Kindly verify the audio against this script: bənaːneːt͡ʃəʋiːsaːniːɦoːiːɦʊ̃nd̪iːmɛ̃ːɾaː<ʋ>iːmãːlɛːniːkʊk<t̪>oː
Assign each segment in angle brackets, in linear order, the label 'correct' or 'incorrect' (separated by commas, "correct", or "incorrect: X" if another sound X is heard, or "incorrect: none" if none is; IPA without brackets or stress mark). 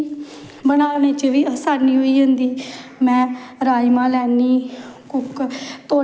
incorrect: none, correct